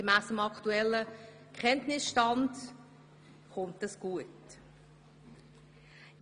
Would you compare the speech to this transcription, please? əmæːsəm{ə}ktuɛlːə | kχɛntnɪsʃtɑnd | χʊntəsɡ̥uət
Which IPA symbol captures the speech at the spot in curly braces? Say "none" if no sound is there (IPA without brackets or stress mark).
ɑ